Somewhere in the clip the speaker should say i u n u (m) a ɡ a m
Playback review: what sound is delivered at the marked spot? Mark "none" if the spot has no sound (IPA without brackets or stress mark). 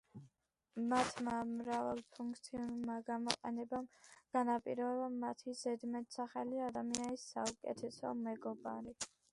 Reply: m